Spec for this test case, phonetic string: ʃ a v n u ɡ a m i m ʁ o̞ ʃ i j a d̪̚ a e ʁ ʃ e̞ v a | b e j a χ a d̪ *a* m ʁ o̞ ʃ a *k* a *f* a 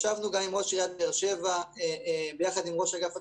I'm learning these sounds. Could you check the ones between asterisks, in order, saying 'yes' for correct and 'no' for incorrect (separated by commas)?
no, no, yes